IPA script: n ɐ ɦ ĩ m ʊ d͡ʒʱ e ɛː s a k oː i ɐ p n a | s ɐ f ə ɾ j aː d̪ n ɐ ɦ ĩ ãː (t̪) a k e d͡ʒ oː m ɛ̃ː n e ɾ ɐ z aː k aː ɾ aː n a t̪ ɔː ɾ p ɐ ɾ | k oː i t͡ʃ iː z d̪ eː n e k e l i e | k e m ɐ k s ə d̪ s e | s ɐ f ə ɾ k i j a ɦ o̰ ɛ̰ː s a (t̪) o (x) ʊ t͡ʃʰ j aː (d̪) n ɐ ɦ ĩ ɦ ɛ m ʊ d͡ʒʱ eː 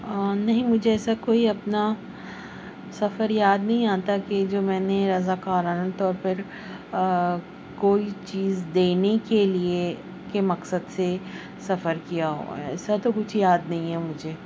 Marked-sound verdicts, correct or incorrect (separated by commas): correct, correct, incorrect, correct